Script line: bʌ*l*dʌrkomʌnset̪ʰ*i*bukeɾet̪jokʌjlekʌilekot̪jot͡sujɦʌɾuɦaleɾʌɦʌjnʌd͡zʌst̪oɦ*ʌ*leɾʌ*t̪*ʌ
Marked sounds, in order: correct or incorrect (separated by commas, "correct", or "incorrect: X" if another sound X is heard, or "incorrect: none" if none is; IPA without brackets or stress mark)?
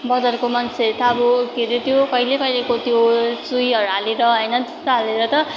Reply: incorrect: none, incorrect: a, incorrect: a, correct